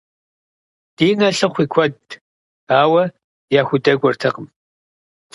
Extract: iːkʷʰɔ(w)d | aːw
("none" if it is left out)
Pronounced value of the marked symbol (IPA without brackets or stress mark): none